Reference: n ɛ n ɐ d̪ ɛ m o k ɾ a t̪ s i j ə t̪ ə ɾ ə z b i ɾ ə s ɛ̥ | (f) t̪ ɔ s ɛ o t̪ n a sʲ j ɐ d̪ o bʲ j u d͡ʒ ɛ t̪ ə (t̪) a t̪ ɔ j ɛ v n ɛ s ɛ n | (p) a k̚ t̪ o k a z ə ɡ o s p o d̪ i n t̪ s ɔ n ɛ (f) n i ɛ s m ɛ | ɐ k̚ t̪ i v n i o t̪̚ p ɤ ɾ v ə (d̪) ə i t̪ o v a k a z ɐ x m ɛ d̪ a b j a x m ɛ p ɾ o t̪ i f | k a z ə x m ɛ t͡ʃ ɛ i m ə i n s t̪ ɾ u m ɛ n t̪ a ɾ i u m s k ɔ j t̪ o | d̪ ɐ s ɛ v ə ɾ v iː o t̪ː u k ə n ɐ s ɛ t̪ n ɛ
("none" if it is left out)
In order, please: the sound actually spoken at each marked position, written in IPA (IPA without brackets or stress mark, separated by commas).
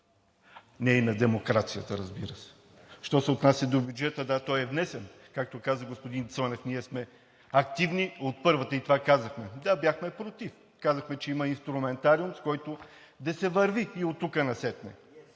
ʃ, d̪, k, f, t̪